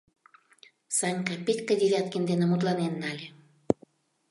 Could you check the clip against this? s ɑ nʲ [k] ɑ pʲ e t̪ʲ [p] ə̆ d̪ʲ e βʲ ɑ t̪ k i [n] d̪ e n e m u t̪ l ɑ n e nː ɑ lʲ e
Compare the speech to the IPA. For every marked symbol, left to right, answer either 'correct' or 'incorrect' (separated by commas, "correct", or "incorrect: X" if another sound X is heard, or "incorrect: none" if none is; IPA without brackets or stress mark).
correct, incorrect: k, correct